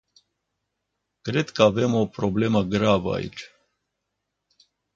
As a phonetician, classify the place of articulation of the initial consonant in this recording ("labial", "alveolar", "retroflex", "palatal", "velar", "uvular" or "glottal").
velar